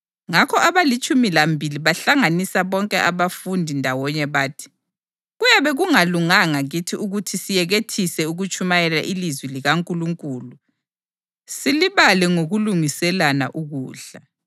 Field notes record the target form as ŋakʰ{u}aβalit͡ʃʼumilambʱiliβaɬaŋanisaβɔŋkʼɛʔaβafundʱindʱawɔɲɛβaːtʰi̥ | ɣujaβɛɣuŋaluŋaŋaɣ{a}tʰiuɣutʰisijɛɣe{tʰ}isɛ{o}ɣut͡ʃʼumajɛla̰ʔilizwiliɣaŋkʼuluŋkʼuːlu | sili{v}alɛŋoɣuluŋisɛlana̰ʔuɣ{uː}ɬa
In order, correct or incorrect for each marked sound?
incorrect: ɔ, incorrect: i, correct, incorrect: u, incorrect: β, correct

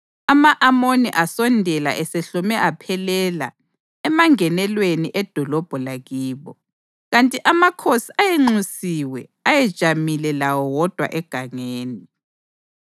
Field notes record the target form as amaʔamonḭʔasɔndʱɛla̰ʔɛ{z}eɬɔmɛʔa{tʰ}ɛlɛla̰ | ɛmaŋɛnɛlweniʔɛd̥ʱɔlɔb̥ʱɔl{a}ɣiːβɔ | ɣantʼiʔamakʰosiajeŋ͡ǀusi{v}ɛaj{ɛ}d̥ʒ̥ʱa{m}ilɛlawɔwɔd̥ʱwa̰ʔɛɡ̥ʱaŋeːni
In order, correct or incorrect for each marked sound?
incorrect: s, incorrect: pʰ, correct, incorrect: w, correct, correct

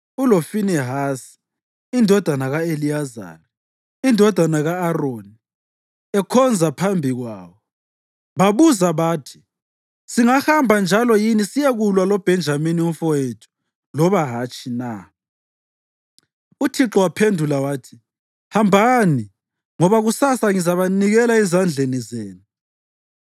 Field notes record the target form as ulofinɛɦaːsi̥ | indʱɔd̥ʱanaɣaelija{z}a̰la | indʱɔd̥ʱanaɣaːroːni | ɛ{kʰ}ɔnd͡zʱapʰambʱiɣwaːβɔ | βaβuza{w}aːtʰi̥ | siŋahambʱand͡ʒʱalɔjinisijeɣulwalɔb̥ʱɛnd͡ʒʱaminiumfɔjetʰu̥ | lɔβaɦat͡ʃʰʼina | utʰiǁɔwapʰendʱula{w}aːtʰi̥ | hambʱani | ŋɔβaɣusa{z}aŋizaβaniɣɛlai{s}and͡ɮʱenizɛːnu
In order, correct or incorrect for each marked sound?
correct, correct, incorrect: β, correct, incorrect: s, incorrect: z

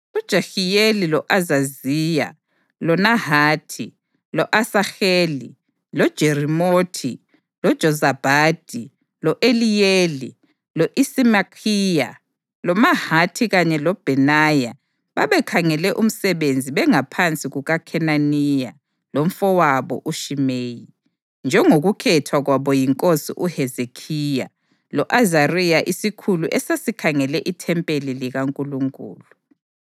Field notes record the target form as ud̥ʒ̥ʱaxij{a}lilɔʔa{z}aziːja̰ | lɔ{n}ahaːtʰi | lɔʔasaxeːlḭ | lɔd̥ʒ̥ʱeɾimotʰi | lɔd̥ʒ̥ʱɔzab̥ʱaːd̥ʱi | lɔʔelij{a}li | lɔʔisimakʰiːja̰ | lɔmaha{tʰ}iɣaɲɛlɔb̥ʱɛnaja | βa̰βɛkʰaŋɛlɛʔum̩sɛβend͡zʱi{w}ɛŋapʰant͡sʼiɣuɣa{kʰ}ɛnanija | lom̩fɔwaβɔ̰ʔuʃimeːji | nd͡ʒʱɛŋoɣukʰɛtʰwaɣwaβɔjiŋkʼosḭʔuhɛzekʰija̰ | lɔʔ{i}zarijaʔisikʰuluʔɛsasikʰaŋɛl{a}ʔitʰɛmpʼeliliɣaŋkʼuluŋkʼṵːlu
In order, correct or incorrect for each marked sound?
incorrect: e, correct, correct, incorrect: e, correct, incorrect: β, correct, incorrect: a, incorrect: ɛ

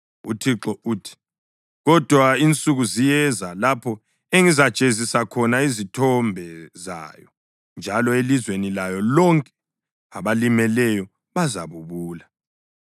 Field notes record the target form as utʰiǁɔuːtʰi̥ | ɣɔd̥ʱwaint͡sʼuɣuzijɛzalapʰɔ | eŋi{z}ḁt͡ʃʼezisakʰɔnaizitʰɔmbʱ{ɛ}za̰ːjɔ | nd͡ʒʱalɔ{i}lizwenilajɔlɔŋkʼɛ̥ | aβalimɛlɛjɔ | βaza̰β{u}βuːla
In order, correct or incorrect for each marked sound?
correct, correct, incorrect: e, correct

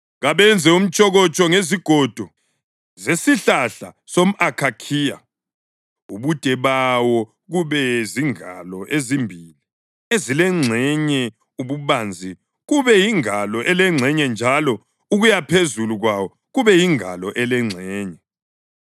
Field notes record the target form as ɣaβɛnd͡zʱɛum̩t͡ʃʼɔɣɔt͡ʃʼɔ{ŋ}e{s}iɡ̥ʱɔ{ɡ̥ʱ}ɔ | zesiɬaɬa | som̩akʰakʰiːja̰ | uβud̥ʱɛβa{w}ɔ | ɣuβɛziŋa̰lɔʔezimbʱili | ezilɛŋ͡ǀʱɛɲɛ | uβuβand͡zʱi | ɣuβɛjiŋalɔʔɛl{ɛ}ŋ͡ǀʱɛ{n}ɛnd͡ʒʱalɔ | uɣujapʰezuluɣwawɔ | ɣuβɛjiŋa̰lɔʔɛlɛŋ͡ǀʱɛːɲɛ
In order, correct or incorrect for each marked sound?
correct, incorrect: z, incorrect: d̥ʱ, correct, correct, incorrect: ɲ

